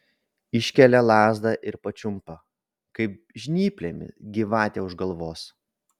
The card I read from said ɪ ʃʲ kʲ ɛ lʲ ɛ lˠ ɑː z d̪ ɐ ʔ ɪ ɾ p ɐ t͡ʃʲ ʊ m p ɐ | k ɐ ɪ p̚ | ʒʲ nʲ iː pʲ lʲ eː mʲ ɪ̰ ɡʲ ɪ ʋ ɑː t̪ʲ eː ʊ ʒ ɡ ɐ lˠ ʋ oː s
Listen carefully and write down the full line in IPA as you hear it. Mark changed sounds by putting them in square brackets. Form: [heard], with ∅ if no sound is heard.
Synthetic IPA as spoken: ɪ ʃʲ kʲ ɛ lʲ ɛ lˠ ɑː z d̪ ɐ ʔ ɪ ɾ p ɐ t͡ʃʲ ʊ m p ɐ | k ɐ ɪ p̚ | ʒʲ nʲ iː pʲ lʲ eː mʲ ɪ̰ ɡʲ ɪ ʋ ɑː t̪ʲ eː ʊ ʒ ɡ ɐ lˠ ʋ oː s